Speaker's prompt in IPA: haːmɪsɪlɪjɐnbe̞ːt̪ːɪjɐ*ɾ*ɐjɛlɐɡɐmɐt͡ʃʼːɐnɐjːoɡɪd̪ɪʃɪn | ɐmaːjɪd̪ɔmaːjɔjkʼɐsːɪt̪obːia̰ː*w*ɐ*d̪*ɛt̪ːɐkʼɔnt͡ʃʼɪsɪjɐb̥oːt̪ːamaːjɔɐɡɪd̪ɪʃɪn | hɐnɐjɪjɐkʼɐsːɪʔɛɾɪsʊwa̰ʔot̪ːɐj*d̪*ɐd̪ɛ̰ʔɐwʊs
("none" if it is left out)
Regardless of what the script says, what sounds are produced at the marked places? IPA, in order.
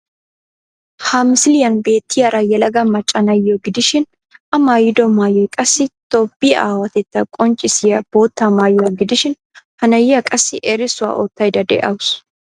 ɾ, w, t̪, d̪

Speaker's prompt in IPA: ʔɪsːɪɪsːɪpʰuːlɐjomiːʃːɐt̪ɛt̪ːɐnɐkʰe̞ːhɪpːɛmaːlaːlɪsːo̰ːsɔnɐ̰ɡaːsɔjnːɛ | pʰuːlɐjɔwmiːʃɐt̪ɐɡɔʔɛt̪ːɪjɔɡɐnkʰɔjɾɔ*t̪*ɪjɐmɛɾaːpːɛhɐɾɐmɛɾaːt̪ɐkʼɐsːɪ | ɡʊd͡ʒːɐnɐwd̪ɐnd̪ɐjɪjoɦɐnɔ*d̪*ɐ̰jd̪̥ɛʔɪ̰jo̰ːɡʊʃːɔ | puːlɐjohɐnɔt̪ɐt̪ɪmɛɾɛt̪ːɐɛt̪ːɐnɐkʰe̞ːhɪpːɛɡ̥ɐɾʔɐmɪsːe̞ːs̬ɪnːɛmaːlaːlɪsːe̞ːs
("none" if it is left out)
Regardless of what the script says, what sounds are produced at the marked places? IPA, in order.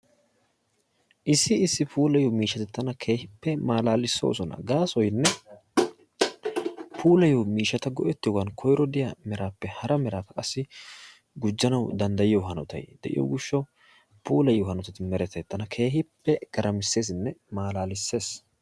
d̪, t̪

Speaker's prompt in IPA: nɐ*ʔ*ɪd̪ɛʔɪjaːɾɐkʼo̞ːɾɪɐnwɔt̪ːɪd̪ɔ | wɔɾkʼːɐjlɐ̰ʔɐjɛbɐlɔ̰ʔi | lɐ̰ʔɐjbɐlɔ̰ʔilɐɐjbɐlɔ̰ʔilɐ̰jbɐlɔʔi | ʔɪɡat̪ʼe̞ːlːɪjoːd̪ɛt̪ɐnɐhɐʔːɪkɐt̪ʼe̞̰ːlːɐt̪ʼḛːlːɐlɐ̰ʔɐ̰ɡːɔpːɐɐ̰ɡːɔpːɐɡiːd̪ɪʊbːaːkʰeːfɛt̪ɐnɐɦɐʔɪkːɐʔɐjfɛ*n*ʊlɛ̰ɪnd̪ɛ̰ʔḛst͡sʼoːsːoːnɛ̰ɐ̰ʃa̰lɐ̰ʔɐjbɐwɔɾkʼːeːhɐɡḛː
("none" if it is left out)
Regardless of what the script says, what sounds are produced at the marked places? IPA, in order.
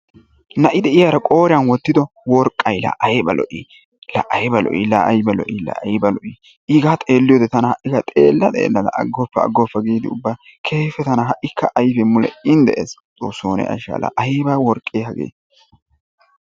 ʔ, m

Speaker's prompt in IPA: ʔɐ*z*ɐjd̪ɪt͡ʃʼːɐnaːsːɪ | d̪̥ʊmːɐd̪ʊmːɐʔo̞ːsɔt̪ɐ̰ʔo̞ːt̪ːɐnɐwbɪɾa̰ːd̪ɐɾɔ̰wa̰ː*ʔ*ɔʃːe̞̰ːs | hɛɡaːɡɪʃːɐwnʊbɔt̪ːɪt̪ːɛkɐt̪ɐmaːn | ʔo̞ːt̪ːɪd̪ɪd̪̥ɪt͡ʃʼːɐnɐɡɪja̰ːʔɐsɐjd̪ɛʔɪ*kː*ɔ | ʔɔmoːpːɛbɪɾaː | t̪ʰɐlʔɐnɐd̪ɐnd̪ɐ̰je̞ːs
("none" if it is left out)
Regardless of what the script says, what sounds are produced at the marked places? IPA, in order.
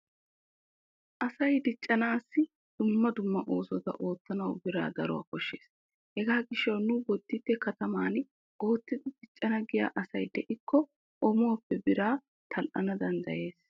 s, k, kː

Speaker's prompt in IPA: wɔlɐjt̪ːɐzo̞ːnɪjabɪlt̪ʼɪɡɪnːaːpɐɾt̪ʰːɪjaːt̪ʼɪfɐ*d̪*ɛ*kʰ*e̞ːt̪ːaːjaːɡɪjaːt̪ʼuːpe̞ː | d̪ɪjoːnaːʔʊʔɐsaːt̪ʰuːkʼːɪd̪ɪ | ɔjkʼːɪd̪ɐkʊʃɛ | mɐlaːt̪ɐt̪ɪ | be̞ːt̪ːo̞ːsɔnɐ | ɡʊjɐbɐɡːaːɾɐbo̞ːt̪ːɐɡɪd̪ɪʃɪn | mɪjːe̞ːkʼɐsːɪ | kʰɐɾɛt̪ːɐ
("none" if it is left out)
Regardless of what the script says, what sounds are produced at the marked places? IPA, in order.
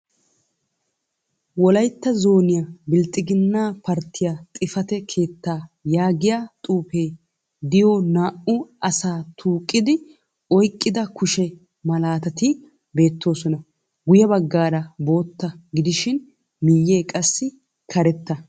t̪, kʰ

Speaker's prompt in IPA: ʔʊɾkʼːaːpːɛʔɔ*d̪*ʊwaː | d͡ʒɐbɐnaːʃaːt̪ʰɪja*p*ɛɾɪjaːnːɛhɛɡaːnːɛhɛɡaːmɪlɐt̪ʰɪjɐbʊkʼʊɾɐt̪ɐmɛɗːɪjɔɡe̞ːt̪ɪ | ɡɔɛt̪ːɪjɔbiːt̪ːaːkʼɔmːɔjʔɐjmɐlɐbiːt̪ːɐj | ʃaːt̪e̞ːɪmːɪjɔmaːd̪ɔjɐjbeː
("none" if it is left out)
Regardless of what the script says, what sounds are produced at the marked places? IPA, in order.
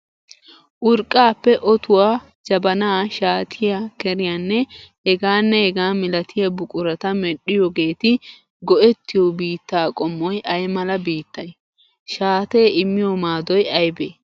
t̪, k

